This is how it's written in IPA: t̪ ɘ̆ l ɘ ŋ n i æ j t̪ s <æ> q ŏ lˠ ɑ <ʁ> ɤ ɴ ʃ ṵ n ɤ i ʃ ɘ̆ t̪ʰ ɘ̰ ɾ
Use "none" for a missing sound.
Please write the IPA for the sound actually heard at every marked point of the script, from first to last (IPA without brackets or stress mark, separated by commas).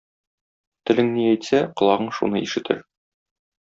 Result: æ, ʁ